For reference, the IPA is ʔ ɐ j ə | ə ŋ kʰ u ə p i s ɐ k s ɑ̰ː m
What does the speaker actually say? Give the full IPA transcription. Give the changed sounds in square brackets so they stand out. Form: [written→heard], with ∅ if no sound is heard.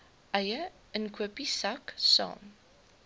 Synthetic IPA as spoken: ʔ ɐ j ə | ə [ŋ→n] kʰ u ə p i s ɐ k s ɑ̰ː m